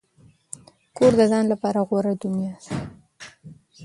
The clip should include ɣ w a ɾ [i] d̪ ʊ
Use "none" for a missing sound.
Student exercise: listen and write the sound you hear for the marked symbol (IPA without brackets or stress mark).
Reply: a